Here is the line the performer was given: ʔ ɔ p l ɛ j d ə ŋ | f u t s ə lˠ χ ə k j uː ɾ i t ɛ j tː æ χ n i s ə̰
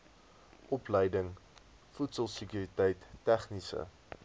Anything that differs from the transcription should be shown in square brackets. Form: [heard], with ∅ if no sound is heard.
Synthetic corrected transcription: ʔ ɔ p l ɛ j d ə ŋ | f u t s ə lˠ [s] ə k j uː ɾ i t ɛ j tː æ χ n i s ə̰